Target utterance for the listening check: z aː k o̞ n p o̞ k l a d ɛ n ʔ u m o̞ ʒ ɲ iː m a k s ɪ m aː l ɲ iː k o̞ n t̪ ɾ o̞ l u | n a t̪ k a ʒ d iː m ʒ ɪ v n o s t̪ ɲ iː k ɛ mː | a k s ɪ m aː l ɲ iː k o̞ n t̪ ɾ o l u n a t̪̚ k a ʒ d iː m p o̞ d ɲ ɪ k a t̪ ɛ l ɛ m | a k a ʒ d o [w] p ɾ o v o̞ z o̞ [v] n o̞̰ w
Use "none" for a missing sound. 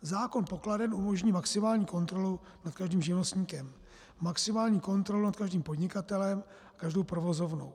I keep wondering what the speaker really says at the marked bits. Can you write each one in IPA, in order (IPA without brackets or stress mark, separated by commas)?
w, v